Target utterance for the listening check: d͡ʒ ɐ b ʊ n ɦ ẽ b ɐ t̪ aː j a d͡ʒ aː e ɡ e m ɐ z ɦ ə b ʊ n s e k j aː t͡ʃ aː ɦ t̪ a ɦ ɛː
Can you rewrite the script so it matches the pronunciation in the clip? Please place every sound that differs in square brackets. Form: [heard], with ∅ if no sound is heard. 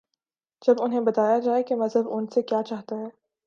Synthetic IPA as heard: d͡ʒ ɐ b ʊ n ɦ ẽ b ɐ t̪ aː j a d͡ʒ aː e [k] e m ɐ z ɦ ə b ʊ n s e k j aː t͡ʃ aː ɦ t̪ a ɦ ɛː